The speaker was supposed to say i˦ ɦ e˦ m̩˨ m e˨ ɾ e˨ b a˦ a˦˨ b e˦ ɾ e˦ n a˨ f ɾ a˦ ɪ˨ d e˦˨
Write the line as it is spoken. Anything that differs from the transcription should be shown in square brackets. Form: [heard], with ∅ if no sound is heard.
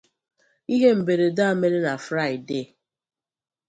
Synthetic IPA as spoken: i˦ ɦ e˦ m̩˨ [b] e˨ ɾ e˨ [d] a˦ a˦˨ [m] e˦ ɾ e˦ n a˨ f ɾ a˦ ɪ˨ d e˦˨